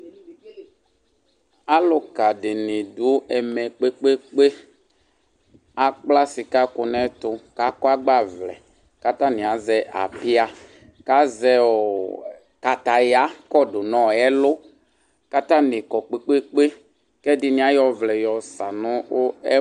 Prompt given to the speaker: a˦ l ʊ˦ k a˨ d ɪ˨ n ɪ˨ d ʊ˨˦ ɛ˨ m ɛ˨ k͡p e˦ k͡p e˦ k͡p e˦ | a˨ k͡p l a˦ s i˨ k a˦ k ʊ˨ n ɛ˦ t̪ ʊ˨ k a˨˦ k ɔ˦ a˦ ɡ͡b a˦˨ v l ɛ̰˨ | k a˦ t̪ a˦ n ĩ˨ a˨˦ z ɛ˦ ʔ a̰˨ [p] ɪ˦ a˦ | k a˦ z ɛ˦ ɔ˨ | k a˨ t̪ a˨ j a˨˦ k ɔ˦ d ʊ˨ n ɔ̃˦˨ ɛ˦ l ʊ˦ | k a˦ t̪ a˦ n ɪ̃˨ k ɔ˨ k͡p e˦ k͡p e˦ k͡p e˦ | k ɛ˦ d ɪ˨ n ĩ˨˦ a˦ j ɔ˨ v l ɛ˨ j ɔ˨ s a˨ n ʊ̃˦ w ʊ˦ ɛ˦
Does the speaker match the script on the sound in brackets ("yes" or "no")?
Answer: yes